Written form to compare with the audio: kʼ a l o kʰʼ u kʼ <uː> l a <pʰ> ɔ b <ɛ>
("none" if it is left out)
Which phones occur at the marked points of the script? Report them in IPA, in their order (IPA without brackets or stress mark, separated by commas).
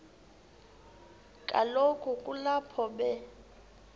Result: u, pʰ, ɛ